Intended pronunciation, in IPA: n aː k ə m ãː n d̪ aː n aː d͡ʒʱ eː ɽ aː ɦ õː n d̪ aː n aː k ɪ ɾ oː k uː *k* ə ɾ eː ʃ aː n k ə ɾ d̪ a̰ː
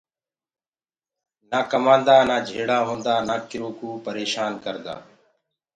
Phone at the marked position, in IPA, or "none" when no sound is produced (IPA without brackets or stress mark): p